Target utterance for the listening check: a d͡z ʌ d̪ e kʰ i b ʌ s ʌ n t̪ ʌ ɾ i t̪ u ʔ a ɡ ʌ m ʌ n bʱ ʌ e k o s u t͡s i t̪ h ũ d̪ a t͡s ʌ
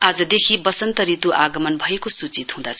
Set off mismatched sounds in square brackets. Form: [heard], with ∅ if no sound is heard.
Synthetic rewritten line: a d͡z ʌ d̪ e kʰ i b ʌ s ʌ n t̪ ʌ ɾ i t̪ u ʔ a ɡ ʌ m ʌ n bʱ ʌ e k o s u t͡s i t̪ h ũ d̪ a [t͡sʰ] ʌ